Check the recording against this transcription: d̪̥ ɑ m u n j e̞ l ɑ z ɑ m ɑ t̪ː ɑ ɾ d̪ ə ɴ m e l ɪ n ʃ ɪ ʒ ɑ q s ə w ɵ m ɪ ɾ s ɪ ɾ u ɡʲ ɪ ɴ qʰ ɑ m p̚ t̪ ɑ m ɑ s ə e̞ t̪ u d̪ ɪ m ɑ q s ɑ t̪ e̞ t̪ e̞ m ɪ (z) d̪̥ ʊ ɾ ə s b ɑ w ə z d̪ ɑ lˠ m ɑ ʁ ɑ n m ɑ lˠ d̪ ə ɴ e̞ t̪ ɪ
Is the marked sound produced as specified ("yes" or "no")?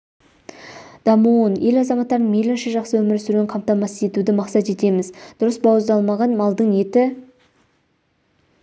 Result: yes